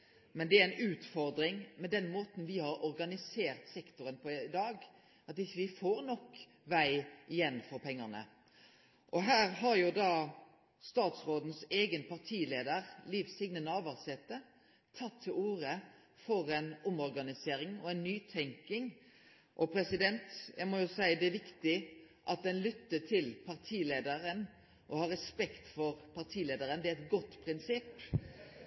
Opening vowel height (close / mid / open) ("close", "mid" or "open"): mid